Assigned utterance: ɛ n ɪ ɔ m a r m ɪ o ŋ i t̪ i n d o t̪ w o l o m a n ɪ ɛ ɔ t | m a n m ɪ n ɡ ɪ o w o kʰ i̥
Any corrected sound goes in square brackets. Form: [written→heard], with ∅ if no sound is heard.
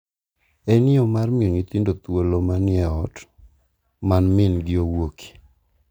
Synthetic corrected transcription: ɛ n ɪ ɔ m a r m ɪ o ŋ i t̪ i n d o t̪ w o l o m a n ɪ ɛ ɔ t | m a n m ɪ n ɡ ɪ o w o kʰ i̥